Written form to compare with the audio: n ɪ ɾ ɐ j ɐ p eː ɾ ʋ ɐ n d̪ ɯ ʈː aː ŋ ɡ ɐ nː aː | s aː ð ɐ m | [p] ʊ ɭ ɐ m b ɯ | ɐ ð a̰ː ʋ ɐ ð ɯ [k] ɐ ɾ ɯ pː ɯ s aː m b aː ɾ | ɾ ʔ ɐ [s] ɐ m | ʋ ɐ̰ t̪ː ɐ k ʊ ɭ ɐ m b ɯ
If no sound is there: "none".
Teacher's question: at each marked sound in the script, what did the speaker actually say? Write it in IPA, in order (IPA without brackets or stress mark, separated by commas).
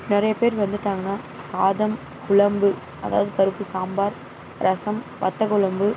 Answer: k, p, s